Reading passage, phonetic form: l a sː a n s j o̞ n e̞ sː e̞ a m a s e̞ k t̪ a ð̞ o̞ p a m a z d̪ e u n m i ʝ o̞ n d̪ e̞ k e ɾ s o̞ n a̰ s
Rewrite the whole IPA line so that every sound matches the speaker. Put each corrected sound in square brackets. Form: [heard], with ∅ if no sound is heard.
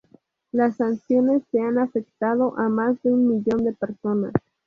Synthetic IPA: l a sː a n s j o̞ n e̞ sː e̞ a [n] a [f] e̞ k t̪ a ð̞ o̞ [ʔ] a m a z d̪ e u n m i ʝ o̞ n d̪ e̞ [p] e ɾ s o̞ n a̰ s